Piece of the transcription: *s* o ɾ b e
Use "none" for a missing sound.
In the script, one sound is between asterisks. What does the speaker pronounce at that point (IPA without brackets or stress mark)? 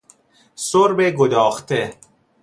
s